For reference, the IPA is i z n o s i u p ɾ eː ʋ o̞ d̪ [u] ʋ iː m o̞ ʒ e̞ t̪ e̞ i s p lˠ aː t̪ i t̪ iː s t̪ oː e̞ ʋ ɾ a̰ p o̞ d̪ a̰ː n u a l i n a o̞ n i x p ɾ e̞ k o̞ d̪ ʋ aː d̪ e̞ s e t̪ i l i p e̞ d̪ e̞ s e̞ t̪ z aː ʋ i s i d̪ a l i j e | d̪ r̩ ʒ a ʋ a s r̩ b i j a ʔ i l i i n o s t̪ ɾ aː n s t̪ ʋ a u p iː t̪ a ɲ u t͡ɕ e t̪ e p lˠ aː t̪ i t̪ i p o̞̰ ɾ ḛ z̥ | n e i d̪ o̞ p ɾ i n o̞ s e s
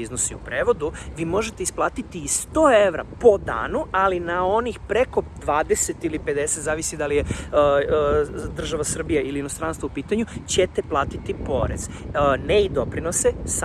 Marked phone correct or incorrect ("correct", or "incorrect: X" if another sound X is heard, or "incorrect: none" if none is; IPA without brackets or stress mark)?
correct